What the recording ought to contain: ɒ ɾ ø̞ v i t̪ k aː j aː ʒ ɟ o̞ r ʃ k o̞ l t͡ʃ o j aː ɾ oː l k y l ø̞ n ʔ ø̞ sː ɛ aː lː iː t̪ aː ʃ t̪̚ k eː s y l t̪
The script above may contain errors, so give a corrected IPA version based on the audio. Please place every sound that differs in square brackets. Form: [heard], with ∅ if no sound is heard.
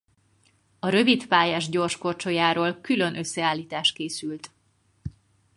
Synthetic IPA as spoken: ɒ ɾ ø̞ v i t̪ [p] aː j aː ʒ ɟ o̞ r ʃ k o̞ [r] t͡ʃ o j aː ɾ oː l k y l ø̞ n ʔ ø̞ sː ɛ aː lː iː t̪ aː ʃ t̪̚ k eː s y l t̪

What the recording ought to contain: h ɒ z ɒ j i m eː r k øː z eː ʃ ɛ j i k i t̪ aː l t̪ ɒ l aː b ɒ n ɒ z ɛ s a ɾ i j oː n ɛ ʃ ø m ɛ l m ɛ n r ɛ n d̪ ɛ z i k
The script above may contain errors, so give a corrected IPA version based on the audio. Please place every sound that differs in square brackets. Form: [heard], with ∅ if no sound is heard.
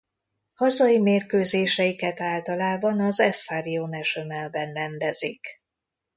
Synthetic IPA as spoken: h ɒ z ɒ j i m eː r k øː z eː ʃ ɛ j i k [ɛ] t̪ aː l t̪ ɒ l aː b ɒ n ɒ z ɛ s a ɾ i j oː n ɛ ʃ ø m ɛ l [b] ɛ n r ɛ n d̪ ɛ z i k

